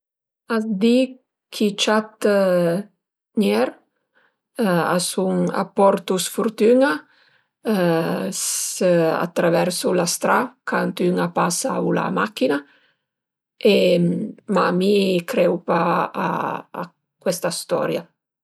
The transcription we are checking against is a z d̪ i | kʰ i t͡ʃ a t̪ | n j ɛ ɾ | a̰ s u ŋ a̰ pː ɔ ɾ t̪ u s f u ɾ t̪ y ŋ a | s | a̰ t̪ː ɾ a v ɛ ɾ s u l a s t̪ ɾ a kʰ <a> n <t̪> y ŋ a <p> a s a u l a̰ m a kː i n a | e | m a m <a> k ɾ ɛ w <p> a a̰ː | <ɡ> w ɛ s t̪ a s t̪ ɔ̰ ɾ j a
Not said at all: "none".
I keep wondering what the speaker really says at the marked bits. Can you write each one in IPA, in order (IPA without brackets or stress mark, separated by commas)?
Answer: a, t̪, p, i, p, k